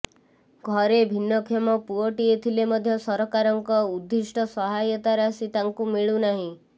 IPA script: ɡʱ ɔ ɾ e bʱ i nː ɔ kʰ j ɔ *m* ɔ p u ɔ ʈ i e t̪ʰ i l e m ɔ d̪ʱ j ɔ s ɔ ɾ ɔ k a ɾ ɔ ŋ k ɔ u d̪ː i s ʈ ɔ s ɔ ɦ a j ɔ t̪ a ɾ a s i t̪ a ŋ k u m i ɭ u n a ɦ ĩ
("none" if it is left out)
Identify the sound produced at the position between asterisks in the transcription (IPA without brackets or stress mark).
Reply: m